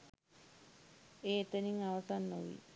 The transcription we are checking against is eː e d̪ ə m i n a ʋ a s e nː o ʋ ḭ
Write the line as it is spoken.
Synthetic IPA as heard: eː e t̪ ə n i ŋ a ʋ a s a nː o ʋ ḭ